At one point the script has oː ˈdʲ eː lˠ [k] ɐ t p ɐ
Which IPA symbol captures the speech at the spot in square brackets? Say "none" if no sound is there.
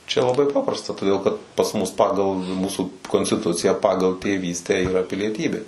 k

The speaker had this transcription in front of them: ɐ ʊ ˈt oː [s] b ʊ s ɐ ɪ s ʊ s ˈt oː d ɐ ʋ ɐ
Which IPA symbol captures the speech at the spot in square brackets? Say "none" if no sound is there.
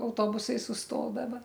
none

